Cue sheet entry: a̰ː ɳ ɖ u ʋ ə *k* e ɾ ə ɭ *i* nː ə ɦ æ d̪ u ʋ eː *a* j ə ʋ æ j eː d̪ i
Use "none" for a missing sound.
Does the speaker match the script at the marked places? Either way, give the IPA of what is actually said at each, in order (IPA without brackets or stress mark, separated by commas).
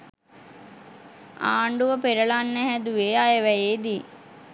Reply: p, a, a